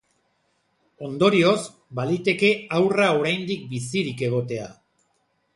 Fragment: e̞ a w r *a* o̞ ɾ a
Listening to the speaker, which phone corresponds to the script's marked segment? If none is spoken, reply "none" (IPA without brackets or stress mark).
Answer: a